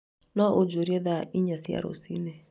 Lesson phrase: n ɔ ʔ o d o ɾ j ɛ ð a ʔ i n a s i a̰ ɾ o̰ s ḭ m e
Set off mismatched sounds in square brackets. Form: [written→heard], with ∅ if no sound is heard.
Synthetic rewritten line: n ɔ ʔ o [d→d͡ʒ] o ɾ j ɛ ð a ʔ i [n→ɲ] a s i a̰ ɾ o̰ s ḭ [m→n] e

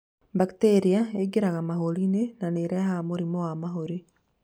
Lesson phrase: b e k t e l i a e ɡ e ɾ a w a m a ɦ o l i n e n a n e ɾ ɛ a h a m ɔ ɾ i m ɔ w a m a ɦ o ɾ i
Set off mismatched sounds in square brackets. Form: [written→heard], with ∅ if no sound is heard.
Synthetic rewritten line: b [e→a] k t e [l→ɾ] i a e ɡ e ɾ a [w→ɣ] a m a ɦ o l i n e n a n e ɾ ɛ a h a m [ɔ→o] ɾ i m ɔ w a m a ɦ o ɾ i

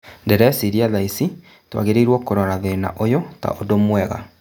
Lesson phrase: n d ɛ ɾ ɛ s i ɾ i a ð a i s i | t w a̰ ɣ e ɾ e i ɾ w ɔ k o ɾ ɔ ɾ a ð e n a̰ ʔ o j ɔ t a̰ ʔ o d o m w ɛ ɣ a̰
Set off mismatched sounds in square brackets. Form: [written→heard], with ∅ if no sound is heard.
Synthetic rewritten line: n d ɛ ɾ ɛ s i ɾ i a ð a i s i | t w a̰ ɣ e ɾ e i ɾ w ɔ k o ɾ ɔ ɾ a ð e n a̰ ʔ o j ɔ t a̰ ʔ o d o m w ɛ ɣ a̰

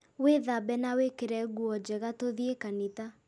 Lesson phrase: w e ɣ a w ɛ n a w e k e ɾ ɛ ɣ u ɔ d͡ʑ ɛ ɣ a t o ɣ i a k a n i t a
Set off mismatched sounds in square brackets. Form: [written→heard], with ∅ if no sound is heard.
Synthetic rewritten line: w e [ɣ→ð] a [w→b] ɛ n a w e k e ɾ ɛ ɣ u ɔ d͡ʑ ɛ ɣ a t o [ɣ→ð] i [a→e] k a n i t a

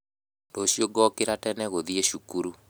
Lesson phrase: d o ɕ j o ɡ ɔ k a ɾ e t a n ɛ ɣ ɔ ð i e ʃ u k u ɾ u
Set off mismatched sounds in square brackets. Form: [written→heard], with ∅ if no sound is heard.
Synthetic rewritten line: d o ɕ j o ɡ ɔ k [a→e] ɾ [e→a] t [a→ɛ] n ɛ ɣ [ɔ→o] ð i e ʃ u k u ɾ u

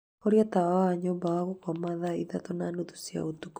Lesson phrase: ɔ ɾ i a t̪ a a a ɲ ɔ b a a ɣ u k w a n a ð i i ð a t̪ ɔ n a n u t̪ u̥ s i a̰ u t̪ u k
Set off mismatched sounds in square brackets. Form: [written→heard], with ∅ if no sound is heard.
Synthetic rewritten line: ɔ ɾ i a t̪ a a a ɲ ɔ b a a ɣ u k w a [n→m] a ð [i→a] i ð a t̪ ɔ n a n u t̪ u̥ s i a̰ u t̪ u k

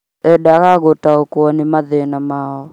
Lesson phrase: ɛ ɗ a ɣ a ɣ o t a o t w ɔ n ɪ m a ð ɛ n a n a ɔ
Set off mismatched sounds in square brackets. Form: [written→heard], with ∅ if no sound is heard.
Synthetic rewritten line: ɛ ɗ a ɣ a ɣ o t a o [t→k] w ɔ n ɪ m a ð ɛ n a [n→m] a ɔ

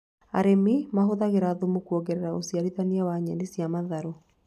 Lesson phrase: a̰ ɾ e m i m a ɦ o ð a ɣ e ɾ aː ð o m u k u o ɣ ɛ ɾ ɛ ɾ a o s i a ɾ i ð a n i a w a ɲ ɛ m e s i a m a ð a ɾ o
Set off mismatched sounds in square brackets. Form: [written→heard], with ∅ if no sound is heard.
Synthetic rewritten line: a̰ ɾ e m i m a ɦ o ð a ɣ e ɾ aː ð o m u k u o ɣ ɛ ɾ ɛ ɾ a o s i a ɾ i ð a n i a w a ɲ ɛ [m→n] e s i a m a ð a ɾ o

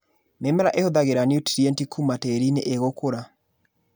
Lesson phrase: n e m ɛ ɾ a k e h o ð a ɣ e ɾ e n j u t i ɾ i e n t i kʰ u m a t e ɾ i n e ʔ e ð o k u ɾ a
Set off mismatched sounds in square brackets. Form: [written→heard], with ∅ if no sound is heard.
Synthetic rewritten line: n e m ɛ ɾ a [k→ʔ] e h o ð a ɣ e ɾ [e→a] n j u t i ɾ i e n t i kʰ u m a t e ɾ i n e ʔ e [ð→ɣ] o k [u→o] ɾ a

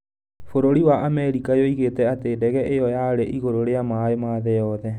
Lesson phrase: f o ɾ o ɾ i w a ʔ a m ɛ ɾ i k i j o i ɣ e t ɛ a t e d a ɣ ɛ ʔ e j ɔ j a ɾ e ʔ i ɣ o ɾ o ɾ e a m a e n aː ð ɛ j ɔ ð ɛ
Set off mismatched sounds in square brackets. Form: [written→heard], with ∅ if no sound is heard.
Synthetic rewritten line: f o ɾ o ɾ i w a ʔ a m ɛ ɾ i k [i→a] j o i ɣ e t ɛ a t e d [a→ɛ] ɣ ɛ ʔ e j ɔ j a ɾ e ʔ i ɣ o ɾ o ɾ e a m a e [n→m] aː ð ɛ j ɔ ð ɛ

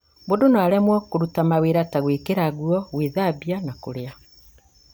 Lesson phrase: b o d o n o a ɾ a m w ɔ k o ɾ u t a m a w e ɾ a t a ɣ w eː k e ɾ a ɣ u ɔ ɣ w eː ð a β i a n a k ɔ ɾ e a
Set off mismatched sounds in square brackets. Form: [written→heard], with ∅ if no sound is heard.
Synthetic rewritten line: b o d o n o a ɾ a m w ɔ k o ɾ u t a m a w e ɾ a t a ɣ w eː k e ɾ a ɣ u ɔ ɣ w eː ð a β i a n a k [ɔ→o] ɾ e a

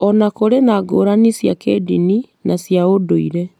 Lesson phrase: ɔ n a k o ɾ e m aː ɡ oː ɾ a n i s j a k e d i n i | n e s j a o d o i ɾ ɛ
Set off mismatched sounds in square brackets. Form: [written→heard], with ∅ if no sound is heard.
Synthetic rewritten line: ɔ n a k o ɾ e [m→n] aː ɡ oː ɾ a n i s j a k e d i n i | n [e→a] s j a o d o i ɾ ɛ

